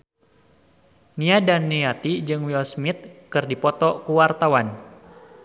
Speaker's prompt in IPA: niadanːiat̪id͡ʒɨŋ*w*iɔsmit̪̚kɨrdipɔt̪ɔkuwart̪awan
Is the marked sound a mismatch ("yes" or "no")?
no